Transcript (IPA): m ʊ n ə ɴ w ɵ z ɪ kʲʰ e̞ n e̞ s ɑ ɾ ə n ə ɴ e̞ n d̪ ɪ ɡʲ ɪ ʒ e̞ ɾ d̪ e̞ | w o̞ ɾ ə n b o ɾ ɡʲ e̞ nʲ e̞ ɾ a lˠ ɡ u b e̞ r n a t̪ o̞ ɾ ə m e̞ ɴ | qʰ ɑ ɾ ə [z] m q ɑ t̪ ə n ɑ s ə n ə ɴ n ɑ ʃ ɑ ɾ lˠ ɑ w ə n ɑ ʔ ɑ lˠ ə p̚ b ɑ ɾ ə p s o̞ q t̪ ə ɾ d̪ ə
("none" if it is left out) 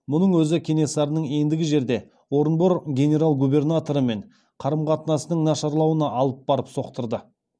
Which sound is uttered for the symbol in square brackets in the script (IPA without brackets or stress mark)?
none